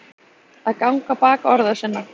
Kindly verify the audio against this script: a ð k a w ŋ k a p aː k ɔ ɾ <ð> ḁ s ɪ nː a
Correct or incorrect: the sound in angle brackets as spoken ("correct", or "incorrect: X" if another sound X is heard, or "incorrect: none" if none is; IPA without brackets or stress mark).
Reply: correct